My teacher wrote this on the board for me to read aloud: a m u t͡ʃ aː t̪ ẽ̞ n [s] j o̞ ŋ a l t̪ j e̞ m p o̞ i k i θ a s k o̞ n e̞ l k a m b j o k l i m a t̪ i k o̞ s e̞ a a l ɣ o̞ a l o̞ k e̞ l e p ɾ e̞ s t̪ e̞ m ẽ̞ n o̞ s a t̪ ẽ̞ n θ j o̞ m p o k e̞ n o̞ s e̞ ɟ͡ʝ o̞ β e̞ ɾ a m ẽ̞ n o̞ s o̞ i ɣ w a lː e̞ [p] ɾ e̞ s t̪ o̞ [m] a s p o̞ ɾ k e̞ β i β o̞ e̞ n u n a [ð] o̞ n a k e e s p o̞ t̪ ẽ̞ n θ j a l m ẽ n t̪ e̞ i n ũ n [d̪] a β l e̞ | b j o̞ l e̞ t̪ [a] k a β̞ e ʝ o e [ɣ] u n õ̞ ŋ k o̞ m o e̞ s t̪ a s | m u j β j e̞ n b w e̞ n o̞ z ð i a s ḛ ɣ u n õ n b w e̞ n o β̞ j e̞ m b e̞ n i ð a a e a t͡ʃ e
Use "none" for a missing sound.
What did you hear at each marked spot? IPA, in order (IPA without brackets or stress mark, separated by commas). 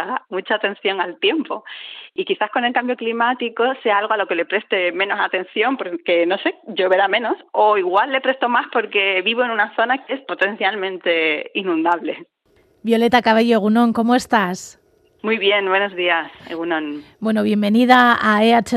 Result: θ, p, m, θ, d̪, a, ɣ